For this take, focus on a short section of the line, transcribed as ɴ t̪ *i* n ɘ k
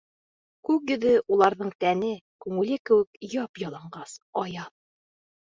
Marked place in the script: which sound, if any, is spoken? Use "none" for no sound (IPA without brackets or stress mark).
æ